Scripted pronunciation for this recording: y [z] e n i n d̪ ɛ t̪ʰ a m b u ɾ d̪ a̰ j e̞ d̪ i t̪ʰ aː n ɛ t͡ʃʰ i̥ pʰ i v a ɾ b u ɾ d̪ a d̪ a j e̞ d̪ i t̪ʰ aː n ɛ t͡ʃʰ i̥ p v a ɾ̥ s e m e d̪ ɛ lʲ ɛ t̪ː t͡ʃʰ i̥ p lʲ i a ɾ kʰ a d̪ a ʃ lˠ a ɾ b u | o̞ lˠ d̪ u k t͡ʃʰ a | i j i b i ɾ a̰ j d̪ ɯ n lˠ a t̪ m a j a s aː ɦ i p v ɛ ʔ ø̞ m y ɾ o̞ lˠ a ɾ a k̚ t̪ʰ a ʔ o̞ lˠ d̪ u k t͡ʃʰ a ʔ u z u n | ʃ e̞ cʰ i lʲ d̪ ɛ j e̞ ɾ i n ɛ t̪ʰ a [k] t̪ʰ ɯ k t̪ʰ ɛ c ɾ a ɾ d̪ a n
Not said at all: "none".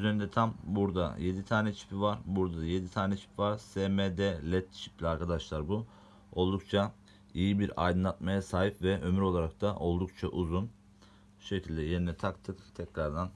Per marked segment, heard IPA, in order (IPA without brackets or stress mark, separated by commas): z, k